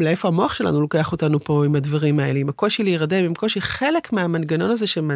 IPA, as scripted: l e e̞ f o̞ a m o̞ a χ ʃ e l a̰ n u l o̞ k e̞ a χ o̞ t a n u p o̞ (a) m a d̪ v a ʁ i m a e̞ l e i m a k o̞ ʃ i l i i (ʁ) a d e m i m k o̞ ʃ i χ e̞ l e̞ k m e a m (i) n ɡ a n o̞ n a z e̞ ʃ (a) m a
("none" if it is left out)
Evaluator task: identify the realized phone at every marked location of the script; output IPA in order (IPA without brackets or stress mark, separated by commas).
i, ʁ, a, e